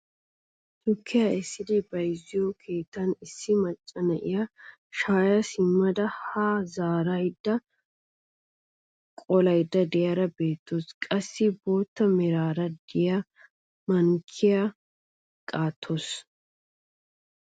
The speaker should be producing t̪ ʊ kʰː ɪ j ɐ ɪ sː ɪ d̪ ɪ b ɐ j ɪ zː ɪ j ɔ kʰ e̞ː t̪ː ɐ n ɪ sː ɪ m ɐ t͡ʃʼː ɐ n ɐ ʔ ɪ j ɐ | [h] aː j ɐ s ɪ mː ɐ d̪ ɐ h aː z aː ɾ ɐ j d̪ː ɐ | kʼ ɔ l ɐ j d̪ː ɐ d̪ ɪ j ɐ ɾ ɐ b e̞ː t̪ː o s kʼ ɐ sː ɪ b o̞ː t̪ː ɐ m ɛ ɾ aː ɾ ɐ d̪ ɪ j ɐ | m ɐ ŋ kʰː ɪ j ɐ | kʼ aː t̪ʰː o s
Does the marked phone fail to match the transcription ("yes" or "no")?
yes